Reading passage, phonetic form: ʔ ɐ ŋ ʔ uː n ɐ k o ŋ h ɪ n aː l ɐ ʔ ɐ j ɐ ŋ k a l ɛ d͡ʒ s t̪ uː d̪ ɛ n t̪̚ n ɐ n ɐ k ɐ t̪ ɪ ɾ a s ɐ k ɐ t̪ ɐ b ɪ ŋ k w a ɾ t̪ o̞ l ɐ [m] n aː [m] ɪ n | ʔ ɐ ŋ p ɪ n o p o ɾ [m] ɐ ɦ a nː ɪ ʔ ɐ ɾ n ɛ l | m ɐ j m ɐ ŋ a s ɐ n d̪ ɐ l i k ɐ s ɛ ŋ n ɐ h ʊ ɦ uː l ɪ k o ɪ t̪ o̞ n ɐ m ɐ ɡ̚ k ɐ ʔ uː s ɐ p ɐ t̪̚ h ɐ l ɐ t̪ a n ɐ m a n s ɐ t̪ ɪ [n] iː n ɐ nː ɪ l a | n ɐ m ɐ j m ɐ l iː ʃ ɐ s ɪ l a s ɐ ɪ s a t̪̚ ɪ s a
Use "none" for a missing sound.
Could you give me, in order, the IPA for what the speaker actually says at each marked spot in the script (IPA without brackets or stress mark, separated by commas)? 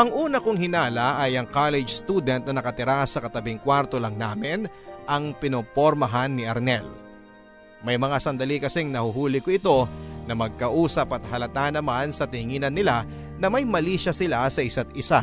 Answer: ŋ, m, m, ŋ